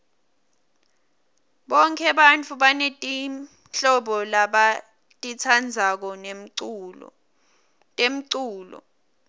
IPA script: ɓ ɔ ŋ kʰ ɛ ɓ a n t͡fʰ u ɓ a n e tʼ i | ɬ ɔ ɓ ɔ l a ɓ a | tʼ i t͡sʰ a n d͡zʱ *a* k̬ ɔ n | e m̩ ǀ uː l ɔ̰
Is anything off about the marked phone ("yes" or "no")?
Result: no